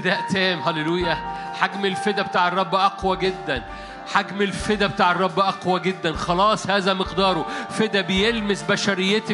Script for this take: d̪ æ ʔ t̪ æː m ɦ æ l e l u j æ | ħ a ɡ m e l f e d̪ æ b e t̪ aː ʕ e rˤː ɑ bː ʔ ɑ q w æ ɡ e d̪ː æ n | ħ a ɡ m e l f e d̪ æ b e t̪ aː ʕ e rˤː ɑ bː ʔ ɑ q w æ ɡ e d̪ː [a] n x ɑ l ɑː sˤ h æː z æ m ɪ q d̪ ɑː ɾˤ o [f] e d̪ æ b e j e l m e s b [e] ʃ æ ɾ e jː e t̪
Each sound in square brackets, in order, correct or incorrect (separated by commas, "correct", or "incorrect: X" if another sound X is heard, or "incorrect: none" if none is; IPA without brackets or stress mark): incorrect: æ, correct, incorrect: æ